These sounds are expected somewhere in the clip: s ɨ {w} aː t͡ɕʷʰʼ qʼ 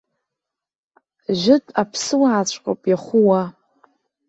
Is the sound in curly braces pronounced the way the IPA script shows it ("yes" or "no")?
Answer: yes